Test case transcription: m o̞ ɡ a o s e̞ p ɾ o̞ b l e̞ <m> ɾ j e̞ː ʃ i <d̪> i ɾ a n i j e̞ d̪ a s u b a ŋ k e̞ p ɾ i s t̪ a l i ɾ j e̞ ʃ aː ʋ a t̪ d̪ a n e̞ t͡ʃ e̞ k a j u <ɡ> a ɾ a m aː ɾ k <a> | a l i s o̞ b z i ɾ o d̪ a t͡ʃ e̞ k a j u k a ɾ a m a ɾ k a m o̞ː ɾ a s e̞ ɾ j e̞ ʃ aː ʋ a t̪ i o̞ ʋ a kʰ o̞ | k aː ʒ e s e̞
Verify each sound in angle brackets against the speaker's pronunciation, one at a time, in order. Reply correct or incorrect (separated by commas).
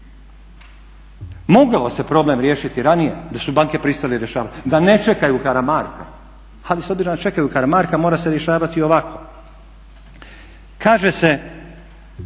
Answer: correct, incorrect, incorrect, correct